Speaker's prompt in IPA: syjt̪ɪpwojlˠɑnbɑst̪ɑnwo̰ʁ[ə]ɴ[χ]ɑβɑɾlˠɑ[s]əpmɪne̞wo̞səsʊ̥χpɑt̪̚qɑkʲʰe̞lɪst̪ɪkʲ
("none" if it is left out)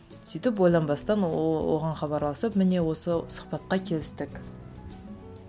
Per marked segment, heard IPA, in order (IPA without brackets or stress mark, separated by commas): ɑ, χ, s